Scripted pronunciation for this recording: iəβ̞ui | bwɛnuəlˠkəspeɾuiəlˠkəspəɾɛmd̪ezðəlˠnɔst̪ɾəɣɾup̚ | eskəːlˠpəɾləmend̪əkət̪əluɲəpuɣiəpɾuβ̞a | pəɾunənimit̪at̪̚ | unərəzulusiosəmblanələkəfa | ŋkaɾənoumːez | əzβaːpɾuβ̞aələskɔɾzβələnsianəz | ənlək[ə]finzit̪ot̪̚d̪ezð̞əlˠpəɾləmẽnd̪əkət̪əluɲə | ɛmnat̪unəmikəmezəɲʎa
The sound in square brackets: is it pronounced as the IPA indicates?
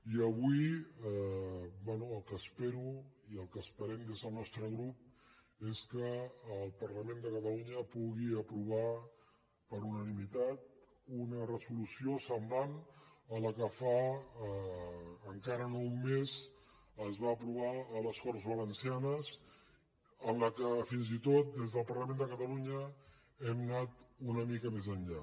yes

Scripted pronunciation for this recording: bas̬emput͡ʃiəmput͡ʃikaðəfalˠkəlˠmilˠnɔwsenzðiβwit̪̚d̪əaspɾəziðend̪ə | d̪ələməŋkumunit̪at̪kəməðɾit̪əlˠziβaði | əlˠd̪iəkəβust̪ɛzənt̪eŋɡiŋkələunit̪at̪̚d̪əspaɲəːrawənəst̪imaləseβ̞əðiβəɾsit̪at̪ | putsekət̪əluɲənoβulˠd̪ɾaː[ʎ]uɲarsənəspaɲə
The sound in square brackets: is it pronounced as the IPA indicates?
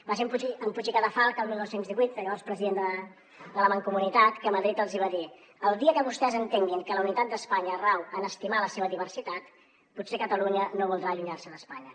yes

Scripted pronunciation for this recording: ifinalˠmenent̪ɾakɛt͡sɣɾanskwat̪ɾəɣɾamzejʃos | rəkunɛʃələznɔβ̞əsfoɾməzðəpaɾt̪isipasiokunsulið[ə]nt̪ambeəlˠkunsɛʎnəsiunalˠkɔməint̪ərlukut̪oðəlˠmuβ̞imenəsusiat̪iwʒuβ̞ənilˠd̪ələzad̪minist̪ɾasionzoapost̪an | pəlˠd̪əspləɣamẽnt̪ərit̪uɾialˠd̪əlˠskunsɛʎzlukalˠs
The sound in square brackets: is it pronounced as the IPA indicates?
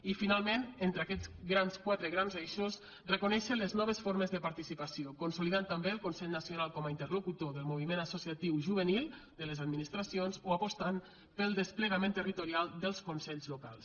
no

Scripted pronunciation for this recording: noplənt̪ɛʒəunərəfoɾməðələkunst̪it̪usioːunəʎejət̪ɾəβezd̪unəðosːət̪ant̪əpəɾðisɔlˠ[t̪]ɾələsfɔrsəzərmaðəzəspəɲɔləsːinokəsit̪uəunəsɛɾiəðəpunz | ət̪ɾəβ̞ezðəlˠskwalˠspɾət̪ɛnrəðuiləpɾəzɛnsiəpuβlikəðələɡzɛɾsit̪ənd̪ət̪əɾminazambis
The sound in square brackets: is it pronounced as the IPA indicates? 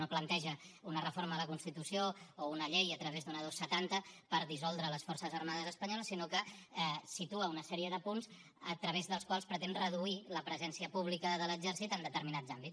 no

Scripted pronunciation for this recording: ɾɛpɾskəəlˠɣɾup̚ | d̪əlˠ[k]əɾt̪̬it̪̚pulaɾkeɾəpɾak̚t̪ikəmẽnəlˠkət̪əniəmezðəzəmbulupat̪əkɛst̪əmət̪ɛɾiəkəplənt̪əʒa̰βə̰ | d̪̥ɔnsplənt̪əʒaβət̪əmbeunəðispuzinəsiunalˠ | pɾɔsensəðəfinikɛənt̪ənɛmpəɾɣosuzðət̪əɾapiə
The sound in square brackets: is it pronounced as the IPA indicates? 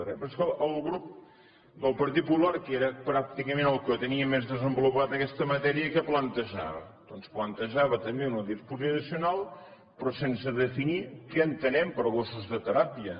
no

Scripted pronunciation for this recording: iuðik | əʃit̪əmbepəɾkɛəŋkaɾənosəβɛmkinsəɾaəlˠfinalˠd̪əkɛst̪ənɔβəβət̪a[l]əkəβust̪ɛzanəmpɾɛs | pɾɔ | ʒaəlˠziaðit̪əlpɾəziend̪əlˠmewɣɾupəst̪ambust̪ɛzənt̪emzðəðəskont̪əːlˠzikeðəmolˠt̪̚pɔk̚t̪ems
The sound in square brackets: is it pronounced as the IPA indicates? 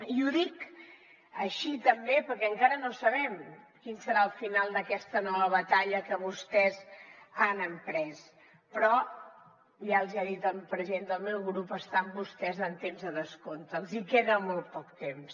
no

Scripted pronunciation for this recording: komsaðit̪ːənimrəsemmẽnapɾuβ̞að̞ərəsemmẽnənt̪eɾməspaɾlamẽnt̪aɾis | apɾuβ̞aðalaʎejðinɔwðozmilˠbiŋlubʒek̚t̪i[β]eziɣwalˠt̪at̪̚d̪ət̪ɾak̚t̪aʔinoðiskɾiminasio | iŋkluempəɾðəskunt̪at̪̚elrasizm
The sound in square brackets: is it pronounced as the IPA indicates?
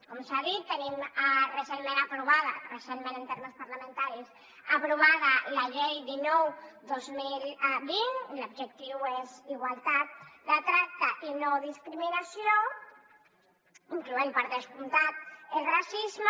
no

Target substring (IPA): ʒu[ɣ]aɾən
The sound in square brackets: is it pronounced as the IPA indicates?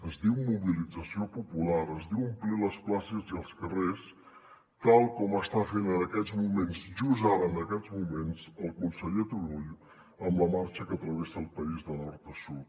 no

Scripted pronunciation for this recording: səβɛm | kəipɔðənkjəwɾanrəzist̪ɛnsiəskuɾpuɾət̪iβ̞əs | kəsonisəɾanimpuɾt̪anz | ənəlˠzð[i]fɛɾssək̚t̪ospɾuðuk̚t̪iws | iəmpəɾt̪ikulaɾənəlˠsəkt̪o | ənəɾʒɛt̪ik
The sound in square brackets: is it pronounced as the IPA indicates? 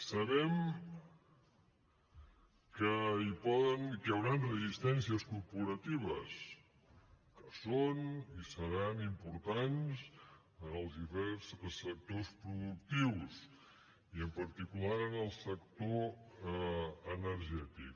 yes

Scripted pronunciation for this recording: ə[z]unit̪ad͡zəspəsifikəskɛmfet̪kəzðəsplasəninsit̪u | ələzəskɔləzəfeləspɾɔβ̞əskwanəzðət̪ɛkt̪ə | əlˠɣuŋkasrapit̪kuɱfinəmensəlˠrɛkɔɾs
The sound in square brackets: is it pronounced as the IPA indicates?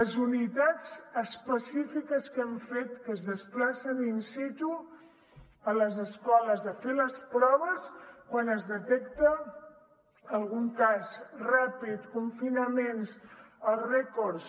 yes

